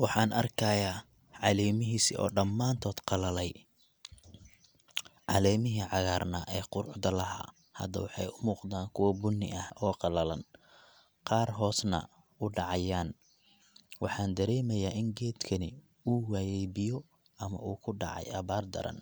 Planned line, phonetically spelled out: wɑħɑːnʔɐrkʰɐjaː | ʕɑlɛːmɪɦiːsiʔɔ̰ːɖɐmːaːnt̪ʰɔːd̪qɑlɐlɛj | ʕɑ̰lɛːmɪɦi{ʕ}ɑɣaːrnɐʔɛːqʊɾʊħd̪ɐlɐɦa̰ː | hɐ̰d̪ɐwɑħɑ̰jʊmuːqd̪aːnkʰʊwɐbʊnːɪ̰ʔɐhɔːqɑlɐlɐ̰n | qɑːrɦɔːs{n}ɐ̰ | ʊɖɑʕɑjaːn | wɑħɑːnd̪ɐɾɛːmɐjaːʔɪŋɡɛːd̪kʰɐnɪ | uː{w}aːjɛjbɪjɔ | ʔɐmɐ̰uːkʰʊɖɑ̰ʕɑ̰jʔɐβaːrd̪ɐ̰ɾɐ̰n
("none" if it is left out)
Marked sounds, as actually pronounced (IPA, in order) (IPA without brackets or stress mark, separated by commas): ʕ, n, w